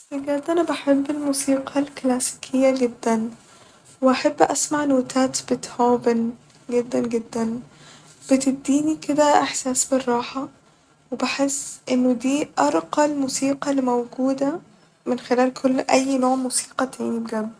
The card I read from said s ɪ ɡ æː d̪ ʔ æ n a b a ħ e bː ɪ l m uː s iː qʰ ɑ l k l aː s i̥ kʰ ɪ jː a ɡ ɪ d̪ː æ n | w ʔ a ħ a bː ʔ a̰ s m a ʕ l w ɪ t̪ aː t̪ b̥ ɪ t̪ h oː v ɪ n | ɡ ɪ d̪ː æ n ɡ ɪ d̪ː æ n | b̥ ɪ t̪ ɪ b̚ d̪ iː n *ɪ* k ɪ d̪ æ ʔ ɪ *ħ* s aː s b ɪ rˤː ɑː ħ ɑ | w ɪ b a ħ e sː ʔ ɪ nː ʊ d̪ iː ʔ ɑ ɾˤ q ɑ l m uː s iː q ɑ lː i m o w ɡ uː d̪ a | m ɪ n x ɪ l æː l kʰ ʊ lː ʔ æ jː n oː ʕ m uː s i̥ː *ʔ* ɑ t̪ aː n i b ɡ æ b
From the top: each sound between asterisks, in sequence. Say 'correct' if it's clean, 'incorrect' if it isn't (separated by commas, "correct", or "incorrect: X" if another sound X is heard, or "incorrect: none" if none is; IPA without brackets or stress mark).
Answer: incorrect: i, correct, incorrect: q